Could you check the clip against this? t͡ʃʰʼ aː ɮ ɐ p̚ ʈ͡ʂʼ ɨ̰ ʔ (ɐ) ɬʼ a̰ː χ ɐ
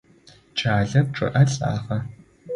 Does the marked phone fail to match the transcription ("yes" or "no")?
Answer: no